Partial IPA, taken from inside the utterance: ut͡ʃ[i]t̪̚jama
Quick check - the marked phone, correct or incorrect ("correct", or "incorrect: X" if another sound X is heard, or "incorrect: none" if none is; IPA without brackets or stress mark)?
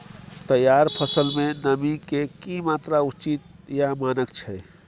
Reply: correct